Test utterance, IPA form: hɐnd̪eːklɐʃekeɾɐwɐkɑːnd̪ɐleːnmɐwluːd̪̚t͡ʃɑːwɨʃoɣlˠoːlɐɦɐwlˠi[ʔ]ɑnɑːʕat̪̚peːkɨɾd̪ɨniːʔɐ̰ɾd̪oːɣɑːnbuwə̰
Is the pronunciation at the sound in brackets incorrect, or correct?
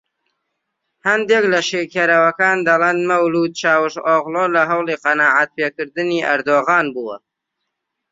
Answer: incorrect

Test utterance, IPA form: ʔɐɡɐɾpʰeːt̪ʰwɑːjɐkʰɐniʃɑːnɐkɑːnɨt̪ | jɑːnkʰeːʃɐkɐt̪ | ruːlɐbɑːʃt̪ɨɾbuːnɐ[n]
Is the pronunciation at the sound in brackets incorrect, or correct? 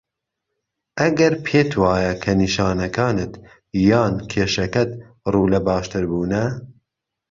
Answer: incorrect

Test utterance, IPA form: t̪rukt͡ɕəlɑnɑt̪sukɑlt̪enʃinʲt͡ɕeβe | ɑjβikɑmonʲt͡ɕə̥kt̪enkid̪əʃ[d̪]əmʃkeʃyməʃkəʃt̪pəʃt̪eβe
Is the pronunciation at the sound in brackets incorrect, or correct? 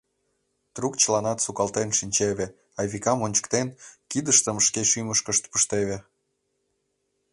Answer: incorrect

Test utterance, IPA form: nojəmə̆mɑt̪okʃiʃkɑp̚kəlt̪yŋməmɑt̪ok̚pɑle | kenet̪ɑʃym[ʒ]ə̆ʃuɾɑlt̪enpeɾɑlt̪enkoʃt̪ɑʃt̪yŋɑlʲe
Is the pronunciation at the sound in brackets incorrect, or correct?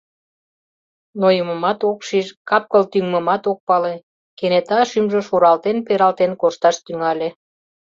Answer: correct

